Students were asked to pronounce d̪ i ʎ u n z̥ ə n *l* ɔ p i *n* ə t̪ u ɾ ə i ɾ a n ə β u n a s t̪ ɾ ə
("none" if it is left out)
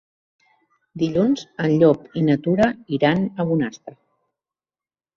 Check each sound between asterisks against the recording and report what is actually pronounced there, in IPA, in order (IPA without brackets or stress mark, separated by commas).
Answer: ʎ, n